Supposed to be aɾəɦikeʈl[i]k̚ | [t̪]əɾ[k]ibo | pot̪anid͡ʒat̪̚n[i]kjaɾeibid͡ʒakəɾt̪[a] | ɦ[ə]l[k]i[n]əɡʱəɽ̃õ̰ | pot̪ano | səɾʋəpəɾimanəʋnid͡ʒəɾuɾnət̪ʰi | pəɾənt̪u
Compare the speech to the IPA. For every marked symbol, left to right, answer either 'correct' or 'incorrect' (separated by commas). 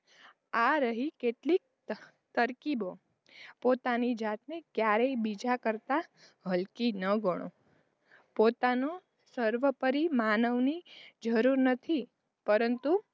correct, correct, correct, incorrect, correct, correct, correct, correct